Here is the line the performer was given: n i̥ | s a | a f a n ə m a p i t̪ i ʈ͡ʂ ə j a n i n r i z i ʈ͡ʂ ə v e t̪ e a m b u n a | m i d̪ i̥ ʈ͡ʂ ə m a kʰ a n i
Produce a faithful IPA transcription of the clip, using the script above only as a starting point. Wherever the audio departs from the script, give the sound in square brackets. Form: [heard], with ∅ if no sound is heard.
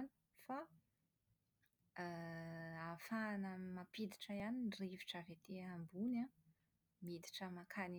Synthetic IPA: n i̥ | [f] a | a f a n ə m a p i [d̪] i ʈ͡ʂ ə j a n i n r i [v] i ʈ͡ʂ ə v e t̪ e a m b u n a | m i d̪ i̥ ʈ͡ʂ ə m a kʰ a n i

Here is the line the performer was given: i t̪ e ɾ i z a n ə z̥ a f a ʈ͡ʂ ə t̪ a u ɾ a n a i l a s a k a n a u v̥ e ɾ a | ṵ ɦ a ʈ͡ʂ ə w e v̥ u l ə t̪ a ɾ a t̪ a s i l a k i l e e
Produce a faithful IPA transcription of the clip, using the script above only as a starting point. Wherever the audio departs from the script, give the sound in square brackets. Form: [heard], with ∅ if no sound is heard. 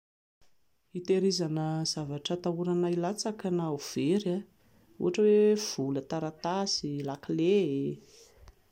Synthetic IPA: i t̪ e ɾ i z a n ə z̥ a [v] a ʈ͡ʂ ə t̪ a u ɾ a n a i l a [t͡s] a k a n a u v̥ e ɾ a | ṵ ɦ a ʈ͡ʂ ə w e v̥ u l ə t̪ a ɾ a t̪ a s i l a k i l e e

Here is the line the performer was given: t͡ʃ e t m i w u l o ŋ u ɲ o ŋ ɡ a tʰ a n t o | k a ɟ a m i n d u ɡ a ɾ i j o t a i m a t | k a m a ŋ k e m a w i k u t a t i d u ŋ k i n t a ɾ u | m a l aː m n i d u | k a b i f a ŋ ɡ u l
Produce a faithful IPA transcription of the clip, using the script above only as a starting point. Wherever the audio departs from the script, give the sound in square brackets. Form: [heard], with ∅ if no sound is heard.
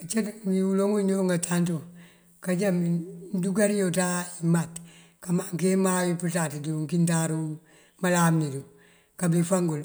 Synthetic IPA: t͡ʃ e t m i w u l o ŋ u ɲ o ŋ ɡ a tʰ a n t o | k a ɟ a m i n d u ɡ a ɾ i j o t a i m a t | k a m a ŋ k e m a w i [p] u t a t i d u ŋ k i n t a ɾ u | m a l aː m n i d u | k a b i f a ŋ ɡ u l

